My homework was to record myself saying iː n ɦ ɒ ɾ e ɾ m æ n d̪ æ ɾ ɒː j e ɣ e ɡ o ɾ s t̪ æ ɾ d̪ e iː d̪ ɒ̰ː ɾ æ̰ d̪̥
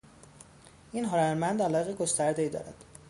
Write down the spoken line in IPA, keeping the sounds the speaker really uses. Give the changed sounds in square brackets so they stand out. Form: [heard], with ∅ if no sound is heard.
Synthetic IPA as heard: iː n ɦ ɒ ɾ [æ] ɾ m æ n d̪ æ [l] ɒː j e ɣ e ɡ o [∅] s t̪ æ ɾ d̪ e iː d̪ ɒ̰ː ɾ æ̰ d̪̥